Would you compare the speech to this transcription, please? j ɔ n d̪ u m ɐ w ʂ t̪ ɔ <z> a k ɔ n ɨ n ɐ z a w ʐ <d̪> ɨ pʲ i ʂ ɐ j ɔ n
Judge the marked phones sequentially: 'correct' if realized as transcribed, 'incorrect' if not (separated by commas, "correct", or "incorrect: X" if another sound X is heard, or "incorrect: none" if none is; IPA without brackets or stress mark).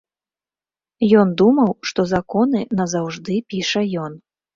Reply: correct, correct